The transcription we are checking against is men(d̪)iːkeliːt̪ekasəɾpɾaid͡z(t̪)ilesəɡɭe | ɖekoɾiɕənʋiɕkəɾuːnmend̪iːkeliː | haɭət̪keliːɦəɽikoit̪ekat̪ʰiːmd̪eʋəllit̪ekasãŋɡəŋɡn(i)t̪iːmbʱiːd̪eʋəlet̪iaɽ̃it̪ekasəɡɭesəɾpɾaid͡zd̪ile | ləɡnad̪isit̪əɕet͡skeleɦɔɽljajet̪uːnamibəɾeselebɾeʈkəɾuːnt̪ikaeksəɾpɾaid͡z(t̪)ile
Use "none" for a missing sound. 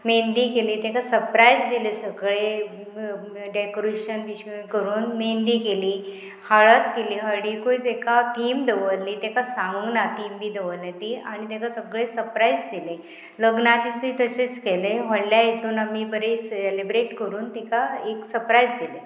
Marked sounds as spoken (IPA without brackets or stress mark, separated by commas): d̪, d̪, a, d̪